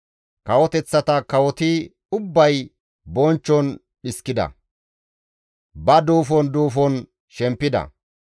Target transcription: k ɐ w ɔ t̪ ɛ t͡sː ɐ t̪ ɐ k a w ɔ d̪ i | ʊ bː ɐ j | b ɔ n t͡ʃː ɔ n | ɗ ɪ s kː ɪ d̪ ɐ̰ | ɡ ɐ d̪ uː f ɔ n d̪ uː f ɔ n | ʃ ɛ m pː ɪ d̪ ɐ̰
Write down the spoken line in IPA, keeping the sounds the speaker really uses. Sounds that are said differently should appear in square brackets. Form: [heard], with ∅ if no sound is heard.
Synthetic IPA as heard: k ɐ w ɔ t̪ ɛ t͡sː ɐ t̪ ɐ k [ɐ] w ɔ [t̪] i | ʊ bː ɐ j | b ɔ n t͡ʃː ɔ n | ɗ ɪ s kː ɪ d̪ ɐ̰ | [b] ɐ d̪ uː f ɔ n d̪ uː f ɔ n | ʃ ɛ m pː ɪ d̪ ɐ̰